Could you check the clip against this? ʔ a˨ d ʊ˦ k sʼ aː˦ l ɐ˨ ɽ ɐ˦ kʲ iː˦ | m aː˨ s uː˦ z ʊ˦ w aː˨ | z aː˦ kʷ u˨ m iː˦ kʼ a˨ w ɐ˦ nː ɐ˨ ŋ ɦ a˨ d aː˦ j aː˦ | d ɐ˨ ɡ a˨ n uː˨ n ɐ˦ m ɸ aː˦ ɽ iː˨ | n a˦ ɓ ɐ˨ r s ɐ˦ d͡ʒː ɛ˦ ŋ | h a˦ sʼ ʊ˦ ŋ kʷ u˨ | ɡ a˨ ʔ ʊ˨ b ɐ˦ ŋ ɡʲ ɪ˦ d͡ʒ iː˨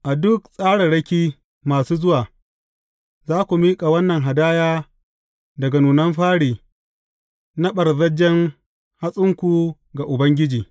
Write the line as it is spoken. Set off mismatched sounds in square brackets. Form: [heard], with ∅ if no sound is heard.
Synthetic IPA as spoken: ʔ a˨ d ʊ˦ k sʼ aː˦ [ɽ] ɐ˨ ɽ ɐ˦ kʲ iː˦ | m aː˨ s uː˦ z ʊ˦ w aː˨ | z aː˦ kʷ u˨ m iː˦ kʼ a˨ w ɐ˦ nː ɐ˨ ŋ ɦ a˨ d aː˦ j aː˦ | d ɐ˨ ɡ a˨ n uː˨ n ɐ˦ m ɸ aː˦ ɽ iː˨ | n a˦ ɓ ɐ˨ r [z] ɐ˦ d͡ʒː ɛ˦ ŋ | h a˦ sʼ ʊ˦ ŋ kʷ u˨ | ɡ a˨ ʔ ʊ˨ b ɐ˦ ŋ ɡʲ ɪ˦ d͡ʒ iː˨